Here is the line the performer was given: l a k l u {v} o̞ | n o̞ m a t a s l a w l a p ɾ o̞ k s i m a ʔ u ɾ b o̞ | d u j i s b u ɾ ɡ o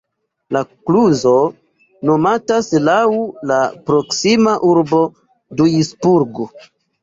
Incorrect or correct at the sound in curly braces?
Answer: incorrect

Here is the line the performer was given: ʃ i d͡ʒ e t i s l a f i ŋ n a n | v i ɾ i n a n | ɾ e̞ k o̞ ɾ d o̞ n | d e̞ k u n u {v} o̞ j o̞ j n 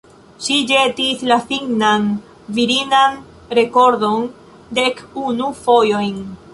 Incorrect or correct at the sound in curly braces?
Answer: incorrect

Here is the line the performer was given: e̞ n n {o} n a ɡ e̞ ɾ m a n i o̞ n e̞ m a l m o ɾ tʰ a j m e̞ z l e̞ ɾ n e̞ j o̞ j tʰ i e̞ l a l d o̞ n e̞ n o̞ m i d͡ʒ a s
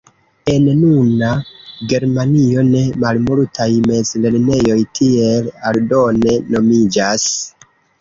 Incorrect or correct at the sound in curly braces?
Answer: incorrect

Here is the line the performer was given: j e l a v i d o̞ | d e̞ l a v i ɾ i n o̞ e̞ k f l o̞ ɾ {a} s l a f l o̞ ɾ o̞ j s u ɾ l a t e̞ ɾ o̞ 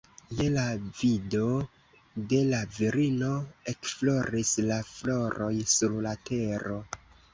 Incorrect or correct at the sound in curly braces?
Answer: incorrect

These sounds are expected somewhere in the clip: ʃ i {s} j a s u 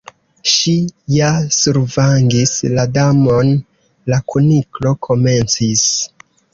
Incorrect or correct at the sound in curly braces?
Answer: incorrect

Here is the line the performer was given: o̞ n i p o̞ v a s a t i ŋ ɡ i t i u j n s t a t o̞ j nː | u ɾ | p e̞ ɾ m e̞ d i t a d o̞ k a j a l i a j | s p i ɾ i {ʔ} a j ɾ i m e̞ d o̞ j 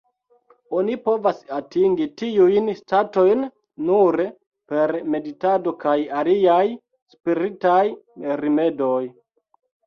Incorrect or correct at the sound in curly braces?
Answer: incorrect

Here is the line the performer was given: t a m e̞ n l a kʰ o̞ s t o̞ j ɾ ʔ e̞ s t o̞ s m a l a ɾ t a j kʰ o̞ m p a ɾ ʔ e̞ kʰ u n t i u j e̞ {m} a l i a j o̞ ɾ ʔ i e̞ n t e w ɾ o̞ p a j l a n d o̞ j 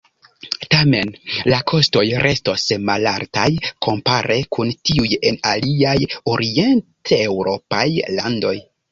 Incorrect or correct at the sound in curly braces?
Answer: incorrect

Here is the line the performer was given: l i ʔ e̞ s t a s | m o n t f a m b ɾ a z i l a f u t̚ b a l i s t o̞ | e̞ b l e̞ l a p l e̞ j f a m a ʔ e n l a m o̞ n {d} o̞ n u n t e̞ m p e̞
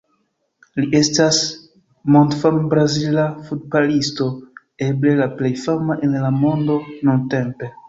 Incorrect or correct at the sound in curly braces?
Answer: correct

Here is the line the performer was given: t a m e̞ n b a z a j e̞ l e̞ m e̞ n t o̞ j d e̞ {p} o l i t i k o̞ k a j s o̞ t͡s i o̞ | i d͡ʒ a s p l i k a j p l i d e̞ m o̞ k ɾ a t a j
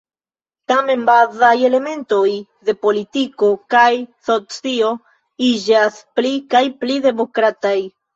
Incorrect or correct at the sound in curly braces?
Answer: correct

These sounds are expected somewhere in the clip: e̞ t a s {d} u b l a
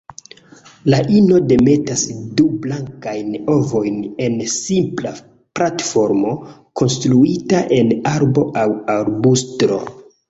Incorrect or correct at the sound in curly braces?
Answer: correct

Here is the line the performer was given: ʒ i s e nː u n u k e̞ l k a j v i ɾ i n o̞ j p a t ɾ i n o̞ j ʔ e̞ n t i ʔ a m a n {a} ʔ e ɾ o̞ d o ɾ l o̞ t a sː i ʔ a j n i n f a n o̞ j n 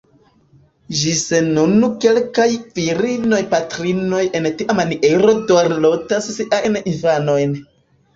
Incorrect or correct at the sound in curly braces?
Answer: incorrect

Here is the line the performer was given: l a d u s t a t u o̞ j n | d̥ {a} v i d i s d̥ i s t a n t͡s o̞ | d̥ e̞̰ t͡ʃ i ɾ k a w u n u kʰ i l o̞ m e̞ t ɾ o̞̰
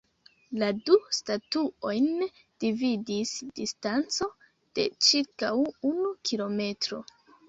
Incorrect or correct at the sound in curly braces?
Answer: incorrect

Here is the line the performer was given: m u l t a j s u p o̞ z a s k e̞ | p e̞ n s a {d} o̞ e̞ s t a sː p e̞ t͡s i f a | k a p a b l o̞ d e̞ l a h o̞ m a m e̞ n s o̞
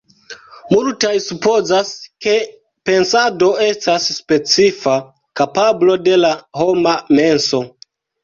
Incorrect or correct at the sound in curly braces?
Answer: correct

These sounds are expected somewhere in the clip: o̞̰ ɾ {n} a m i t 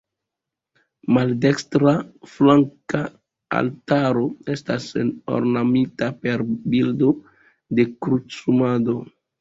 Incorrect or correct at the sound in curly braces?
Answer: correct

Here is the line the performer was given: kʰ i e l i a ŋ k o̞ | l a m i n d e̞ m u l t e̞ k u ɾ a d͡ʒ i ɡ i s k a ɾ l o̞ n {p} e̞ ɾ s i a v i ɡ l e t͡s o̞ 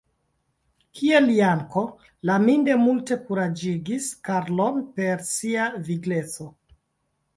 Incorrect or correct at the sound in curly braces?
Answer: correct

